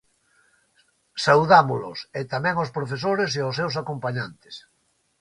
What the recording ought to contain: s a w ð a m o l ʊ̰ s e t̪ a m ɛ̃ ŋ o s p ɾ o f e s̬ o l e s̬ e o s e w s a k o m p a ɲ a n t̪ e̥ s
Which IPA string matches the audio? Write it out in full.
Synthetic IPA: s a w ð a m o l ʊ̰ s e t̪ a m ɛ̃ ŋ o s p ɾ o f e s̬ o ɾ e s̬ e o s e w s a k o m p a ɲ a n t̪ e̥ s